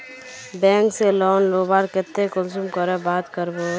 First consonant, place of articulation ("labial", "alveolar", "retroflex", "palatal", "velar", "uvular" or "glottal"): labial